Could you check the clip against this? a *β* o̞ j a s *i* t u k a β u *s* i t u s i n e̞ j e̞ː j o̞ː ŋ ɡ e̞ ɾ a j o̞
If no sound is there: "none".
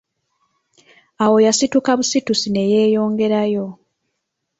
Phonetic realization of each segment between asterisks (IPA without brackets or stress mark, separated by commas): w, i, s